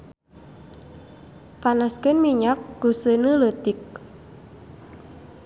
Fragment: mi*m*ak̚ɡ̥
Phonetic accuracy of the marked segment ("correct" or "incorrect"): incorrect